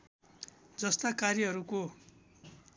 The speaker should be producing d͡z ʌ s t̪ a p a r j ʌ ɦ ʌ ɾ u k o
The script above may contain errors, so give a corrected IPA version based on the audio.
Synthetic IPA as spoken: d͡z ʌ s t̪ a k a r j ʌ ɦ ʌ ɾ u k o